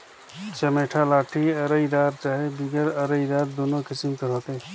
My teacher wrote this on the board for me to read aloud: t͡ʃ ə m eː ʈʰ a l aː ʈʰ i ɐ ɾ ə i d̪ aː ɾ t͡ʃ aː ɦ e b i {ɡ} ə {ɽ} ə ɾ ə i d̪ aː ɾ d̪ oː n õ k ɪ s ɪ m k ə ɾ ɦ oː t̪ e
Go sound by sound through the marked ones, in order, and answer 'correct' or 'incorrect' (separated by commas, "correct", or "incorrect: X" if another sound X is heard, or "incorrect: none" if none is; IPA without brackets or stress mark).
correct, incorrect: ɾ